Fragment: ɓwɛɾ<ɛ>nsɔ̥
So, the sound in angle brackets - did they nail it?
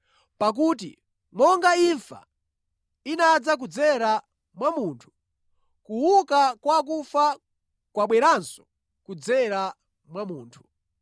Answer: no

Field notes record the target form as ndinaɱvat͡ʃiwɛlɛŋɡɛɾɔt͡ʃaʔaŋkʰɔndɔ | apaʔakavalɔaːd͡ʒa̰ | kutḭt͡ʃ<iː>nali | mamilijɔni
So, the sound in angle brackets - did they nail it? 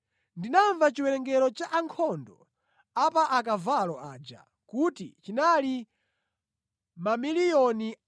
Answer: no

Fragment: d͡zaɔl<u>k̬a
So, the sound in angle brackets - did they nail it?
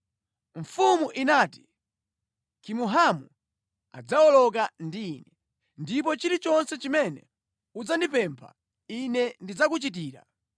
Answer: no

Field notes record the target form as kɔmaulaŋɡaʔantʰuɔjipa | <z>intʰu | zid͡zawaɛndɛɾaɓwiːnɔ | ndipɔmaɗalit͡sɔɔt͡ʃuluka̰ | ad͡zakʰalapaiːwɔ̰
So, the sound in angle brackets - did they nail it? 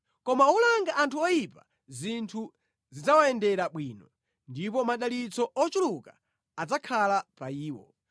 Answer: yes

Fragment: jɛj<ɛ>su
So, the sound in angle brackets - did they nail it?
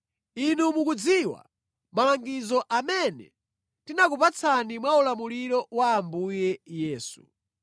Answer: no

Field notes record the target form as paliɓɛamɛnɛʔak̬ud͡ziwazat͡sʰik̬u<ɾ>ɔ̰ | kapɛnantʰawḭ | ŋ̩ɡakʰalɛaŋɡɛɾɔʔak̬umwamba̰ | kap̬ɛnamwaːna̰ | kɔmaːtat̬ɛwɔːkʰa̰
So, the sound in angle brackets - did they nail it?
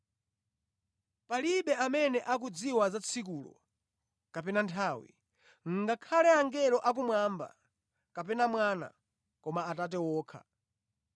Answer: no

